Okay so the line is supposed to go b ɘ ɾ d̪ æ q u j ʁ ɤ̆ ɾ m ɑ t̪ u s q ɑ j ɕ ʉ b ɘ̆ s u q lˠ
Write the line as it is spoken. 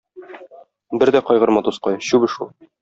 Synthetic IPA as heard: b ɘ ɾ d̪ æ q ɒ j ʁ ɤ̆ ɾ m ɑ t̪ u s q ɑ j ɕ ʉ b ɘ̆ ʃ u lˠ